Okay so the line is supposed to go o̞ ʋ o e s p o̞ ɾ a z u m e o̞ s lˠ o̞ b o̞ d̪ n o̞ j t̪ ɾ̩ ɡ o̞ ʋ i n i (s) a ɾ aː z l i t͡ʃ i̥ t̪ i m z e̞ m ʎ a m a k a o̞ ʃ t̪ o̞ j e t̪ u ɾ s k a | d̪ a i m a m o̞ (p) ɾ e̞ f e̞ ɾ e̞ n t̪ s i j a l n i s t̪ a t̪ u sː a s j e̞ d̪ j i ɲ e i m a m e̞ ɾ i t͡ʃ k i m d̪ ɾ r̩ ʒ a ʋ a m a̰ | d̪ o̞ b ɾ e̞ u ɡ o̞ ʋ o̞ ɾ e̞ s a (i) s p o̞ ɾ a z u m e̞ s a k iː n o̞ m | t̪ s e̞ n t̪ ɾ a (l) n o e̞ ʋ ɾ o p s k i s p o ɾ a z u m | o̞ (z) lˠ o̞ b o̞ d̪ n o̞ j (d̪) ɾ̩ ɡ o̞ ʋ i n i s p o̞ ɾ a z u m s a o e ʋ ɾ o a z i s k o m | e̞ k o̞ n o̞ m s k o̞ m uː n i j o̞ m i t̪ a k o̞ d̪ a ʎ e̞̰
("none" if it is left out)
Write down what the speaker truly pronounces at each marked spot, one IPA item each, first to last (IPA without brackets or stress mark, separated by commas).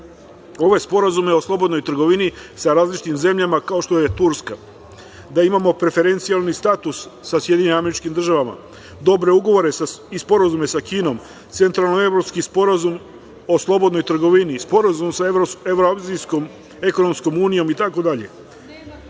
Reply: s, p, i, l, s, t̪